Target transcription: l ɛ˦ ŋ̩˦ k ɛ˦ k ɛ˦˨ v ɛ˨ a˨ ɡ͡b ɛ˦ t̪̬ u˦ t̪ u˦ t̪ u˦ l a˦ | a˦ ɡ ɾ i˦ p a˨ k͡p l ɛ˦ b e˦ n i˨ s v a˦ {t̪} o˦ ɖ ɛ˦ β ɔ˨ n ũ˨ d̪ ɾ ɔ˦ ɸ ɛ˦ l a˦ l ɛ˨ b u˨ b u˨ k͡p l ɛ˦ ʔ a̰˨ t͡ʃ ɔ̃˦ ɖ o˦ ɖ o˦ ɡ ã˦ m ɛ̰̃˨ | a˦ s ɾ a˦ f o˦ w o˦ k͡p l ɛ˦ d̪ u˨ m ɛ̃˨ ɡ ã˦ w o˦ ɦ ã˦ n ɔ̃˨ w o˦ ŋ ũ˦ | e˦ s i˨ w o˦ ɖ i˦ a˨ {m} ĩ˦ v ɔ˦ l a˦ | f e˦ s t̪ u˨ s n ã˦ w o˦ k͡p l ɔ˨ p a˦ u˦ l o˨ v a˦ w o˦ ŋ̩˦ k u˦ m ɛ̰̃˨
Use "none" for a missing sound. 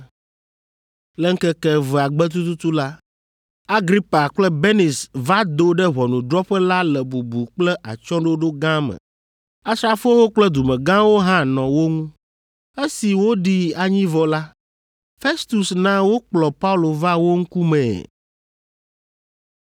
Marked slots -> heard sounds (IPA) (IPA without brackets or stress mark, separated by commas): d̪, ɲ